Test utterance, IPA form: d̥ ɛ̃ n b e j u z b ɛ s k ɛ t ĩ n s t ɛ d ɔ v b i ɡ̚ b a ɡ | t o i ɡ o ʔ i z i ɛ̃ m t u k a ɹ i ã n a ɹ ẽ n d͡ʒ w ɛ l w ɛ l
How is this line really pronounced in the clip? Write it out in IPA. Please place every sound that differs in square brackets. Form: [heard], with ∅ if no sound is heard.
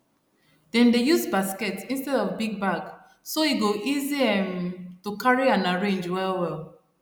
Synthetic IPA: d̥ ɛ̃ n [d] e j u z b [a] s k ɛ t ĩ n s t ɛ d ɔ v b i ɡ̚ b a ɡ | [s] o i ɡ o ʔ i z i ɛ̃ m t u k a ɹ i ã n a ɹ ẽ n d͡ʒ w ɛ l w ɛ l